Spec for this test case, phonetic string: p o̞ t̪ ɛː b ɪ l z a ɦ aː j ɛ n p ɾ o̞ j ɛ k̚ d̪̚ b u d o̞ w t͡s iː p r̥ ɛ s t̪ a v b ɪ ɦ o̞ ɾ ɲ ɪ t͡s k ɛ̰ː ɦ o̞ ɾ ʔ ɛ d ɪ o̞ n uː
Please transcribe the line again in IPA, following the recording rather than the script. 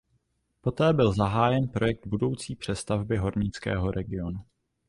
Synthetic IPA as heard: p o̞ t̪ ɛː b ɪ l z a ɦ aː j ɛ n p ɾ o̞ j ɛ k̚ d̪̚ b u d o̞ w t͡s iː p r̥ ɛ s t̪ a v b ɪ ɦ o̞ ɾ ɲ ɪ t͡s k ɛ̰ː ɦ o̞ ɾ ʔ ɛ ɡ ɪ o̞ n u

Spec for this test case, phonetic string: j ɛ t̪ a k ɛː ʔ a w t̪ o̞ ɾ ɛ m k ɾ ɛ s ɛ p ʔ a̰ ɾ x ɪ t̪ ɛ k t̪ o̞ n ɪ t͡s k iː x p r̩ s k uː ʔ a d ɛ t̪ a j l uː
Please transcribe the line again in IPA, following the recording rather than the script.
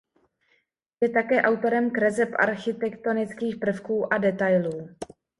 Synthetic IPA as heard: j ɛ t̪ a k ɛː ʔ a w t̪ o̞ ɾ ɛ m k ɾ ɛ z ɛ p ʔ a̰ ɾ x ɪ t̪ ɛ k t̪ o̞ n ɪ t͡s k iː x p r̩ f k uː ʔ a d ɛ t̪ a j l uː

